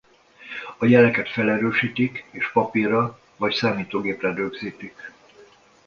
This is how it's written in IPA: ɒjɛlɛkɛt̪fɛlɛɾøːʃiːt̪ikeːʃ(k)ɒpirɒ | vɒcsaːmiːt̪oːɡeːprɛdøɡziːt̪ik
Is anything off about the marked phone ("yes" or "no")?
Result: yes